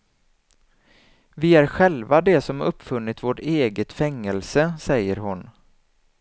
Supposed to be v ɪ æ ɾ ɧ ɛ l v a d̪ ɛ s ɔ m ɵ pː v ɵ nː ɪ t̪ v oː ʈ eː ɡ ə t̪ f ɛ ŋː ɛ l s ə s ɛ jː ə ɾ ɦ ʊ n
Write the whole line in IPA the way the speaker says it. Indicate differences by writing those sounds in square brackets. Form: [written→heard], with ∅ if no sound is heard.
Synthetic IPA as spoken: v ɪ æ ɾ ɧ ɛ l v a d̪ ɛ s ɔ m ɵ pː [v→f] ɵ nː ɪ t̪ v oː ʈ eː ɡ ə t̪ f ɛ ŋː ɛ l s ə s ɛ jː ə ɾ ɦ ʊ n